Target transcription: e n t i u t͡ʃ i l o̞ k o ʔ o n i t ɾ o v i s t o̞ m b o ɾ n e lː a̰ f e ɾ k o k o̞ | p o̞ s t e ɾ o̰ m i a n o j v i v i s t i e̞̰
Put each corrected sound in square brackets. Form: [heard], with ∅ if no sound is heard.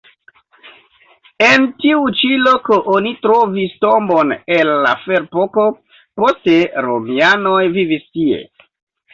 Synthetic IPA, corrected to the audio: e n t i u t͡ʃ i l o̞ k o ʔ o n i t ɾ o v i s t o̞ m b o [∅] n e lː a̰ f e ɾ [p] o k o̞ | p o̞ s t e ɾ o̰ m i a n o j v i v i s t i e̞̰

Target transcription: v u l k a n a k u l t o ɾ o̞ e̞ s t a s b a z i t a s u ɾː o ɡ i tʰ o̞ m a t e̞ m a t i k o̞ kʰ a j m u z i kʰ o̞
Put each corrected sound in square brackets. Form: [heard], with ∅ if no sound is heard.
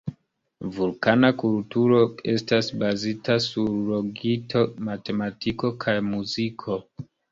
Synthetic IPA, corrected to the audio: v u l k a n a k u l t [u] ɾ o̞ e̞ s t a s b a z i t a s u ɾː o ɡ i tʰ o̞ m a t e̞ m a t i k o̞ kʰ a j m u z i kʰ o̞

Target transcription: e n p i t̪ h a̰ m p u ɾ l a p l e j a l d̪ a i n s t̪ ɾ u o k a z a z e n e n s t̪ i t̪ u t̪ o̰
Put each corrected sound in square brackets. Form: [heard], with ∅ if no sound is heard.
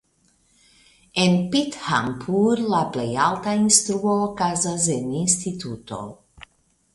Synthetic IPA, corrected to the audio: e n p i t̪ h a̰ m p u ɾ l a p l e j a l [t̪] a i n s t̪ ɾ u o k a z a z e n [i] n s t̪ i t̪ u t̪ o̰

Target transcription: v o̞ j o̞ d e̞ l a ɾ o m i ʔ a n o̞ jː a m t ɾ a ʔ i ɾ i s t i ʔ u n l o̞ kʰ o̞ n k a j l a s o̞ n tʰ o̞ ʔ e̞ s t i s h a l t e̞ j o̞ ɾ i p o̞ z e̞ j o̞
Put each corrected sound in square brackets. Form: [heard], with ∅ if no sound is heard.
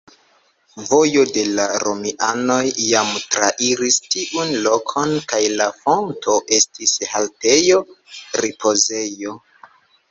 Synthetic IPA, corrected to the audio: v o̞ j o̞ d e̞ l a ɾ o m i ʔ a n o̞ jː a m t ɾ a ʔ i ɾ i s t i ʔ u n l o̞ kʰ o̞ n k a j l a [f] o̞ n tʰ o̞ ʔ e̞ s t i s h a l t e̞ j o̞ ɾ i p o̞ z e̞ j o̞

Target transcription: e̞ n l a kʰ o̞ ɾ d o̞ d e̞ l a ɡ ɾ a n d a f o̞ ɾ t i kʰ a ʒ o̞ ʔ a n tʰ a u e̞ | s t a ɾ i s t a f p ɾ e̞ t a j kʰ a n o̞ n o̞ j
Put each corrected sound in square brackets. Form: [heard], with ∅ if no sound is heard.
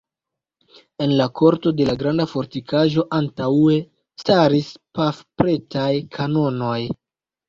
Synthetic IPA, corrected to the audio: e̞ n l a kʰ o̞ ɾ [t] o̞ d e̞ l a ɡ ɾ a n d a f o̞ ɾ t i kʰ a ʒ o̞ ʔ a n [t] a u e̞ | s t a ɾ i s [p] a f p ɾ e̞ t a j kʰ a n o̞ n o̞ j

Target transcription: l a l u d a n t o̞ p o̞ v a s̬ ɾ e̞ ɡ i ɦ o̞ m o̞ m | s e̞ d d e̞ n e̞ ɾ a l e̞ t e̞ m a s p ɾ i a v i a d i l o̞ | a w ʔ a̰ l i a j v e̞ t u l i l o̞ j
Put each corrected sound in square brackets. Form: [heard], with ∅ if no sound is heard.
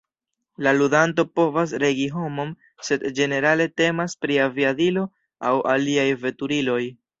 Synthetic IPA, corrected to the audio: l a l u d a n t o̞ p o̞ v a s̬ ɾ e̞ ɡ i ɦ o̞ m o̞ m | s e̞ d [d͡ʒ] e̞ n e̞ ɾ a l e̞ t e̞ m a s p ɾ i a v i a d i l o̞ | a w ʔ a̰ l i a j v e̞ t u [ɾ] i l o̞ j

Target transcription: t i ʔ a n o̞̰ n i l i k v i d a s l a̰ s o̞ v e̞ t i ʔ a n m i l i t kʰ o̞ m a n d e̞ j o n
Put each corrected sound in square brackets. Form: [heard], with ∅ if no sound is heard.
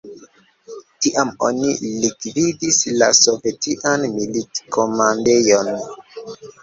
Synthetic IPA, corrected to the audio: t i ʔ a [m] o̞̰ n i l i k v i d [i] s l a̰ s o̞ v e̞ t i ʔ a n m i l i t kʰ o̞ m a n d e̞ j o n

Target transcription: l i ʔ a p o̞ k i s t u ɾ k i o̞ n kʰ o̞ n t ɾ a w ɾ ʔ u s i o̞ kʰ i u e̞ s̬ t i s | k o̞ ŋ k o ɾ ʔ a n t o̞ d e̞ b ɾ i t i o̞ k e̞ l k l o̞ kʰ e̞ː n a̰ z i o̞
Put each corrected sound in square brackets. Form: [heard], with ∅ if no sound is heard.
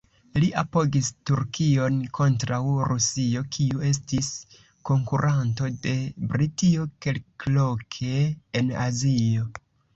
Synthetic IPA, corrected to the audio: l i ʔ a p o̞ [ɡ] i s t u ɾ k i o̞ n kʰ o̞ n t ɾ a w ɾ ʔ u s i o̞ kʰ i u e̞ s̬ t i s | k o̞ ŋ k [u] ɾ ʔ a n t o̞ d e̞ b ɾ i t i o̞ k e̞ l k l o̞ kʰ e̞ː n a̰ z i o̞

